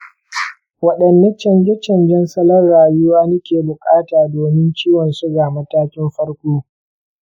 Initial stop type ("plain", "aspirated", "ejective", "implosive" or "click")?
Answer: implosive